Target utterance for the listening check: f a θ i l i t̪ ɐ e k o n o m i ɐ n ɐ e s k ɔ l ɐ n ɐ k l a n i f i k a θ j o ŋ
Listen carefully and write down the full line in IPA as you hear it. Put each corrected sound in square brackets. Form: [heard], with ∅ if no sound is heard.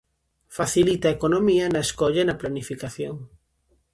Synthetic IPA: f a θ i l i t̪ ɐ e k o n o m i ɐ n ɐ e s k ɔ [ʎ] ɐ n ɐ [p] l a n i f i k a θ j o ŋ